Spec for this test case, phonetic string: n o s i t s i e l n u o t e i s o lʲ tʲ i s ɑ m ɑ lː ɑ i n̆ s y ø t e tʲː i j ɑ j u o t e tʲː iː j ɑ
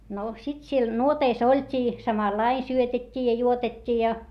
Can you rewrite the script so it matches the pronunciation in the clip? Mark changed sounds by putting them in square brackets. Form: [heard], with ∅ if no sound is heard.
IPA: n o s i t s i e l n u o t e i s o lʲ tʲ [iː] s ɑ m ɑ lː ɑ i n̆ s y ø t e tʲː [iː] j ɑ j u o t e tʲː iː j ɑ